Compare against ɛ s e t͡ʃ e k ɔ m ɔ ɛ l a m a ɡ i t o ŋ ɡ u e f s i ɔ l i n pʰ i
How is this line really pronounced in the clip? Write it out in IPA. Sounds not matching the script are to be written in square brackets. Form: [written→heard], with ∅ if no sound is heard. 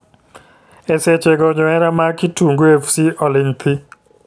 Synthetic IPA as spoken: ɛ s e t͡ʃ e [k→ɡ] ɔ [m→ɲ] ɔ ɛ [l→ɾ] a m a [ɡ→k] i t [o→u] ŋ ɡ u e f s i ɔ l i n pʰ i